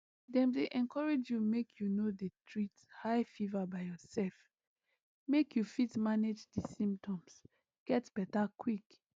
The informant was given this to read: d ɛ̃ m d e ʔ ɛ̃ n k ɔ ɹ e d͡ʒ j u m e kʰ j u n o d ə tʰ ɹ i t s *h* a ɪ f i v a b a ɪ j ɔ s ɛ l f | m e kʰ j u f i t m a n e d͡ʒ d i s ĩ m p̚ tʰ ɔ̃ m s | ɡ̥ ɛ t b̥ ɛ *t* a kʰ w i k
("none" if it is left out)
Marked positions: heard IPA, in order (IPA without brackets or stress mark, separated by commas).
h, t